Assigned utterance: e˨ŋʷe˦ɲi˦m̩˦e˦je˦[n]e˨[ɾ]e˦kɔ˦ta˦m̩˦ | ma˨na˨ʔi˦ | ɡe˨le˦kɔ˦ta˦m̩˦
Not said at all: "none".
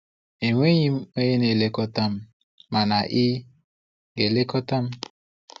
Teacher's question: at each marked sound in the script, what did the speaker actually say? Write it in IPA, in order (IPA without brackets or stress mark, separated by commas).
n, l